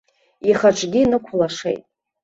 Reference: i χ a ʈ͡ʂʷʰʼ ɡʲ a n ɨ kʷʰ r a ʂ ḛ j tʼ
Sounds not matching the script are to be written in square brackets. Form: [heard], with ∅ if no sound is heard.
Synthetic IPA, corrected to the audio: i χ a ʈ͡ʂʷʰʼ ɡʲ [i] n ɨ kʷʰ [l] a ʂ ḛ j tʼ